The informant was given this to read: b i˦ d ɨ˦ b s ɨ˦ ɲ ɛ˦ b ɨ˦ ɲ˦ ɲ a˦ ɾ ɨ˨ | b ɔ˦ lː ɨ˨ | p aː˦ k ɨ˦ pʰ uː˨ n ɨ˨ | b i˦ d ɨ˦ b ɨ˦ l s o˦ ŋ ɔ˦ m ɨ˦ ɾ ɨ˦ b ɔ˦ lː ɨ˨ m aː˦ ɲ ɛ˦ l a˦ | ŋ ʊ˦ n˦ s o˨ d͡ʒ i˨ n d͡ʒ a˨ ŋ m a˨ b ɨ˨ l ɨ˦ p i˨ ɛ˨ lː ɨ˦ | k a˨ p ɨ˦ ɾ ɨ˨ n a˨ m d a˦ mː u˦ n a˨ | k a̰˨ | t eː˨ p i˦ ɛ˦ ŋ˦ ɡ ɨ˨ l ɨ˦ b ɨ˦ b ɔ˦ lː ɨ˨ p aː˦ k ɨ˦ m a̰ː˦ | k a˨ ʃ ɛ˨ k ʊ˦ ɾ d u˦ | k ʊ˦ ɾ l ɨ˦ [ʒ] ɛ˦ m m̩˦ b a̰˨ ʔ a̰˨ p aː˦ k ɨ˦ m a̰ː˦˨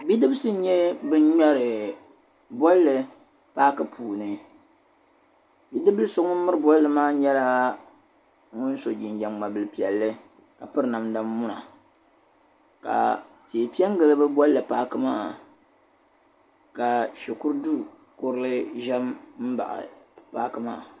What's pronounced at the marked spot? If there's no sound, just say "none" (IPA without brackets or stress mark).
ʒ